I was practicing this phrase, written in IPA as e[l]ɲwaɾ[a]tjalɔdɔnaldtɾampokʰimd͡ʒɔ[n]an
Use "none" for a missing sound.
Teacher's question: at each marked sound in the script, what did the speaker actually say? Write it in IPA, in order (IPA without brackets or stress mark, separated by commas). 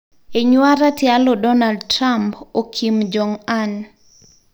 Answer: none, a, ŋ